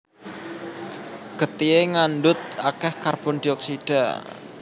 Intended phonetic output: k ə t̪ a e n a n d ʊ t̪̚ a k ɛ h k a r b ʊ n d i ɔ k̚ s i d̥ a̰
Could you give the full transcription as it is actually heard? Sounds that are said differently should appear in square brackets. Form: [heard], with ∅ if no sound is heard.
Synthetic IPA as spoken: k ə t̪ [i] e [ŋ] a n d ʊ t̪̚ a k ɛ h k a r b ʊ n d i ɔ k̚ s i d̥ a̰